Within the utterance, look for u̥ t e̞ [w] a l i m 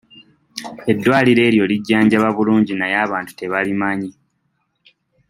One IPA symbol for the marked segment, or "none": β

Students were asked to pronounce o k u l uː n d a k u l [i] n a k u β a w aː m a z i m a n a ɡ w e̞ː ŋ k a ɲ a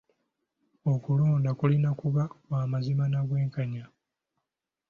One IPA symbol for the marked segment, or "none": i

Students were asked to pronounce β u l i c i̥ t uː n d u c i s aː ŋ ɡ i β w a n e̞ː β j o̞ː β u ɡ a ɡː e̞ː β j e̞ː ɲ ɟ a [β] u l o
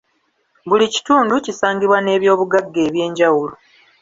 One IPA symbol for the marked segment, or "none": w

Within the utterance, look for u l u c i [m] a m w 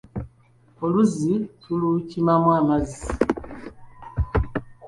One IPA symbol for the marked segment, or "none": m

